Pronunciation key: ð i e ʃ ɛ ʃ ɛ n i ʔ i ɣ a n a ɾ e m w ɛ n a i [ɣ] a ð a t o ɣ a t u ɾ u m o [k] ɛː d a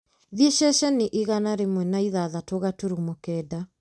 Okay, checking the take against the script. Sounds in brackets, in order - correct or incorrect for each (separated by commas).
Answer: incorrect, correct